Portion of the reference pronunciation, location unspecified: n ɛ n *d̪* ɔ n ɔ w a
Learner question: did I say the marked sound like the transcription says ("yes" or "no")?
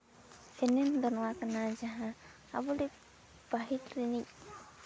yes